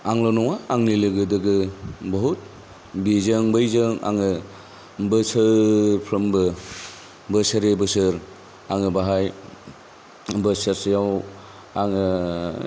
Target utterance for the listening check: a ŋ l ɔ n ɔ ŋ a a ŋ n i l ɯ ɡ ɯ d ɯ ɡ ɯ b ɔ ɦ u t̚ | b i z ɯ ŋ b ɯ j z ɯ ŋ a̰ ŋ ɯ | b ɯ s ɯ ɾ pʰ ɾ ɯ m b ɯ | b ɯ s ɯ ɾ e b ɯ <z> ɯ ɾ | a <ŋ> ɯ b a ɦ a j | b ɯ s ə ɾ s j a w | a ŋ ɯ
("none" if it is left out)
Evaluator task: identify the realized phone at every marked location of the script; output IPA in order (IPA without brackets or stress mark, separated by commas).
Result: s, ŋ